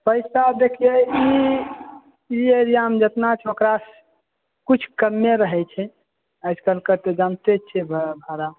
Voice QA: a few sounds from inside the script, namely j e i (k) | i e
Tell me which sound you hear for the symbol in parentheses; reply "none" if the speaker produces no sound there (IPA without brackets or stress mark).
none